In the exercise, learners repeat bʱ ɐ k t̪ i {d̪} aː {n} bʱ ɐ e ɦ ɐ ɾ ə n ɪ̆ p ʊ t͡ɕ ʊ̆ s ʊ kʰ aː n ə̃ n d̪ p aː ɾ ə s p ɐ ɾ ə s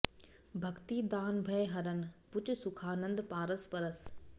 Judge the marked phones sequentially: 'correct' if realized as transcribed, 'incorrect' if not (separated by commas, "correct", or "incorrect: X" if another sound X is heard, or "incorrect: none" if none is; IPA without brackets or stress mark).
correct, correct